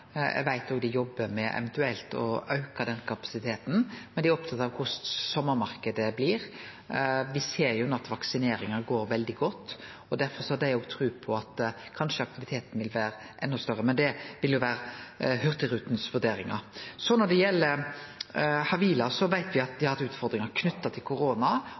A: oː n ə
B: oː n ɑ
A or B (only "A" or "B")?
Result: B